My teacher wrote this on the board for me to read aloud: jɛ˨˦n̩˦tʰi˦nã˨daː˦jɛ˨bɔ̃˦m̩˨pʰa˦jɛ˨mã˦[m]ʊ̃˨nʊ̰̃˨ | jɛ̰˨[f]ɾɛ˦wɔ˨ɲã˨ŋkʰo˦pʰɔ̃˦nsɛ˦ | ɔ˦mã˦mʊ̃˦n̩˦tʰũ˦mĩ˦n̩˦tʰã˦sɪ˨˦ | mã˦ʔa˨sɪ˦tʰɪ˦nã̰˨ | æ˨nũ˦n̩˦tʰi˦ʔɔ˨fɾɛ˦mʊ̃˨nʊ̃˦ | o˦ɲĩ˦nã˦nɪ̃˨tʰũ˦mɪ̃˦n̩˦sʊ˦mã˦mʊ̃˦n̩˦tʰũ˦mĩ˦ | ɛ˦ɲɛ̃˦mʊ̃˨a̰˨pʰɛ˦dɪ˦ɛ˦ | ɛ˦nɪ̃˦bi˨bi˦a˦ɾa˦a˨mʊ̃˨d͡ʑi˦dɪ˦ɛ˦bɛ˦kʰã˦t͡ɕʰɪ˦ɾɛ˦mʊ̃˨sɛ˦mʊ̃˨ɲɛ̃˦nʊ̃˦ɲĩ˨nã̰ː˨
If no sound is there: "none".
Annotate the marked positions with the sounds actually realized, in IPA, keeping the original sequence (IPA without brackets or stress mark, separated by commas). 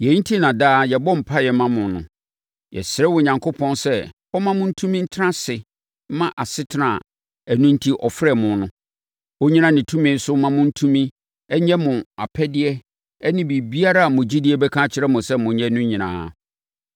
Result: m, s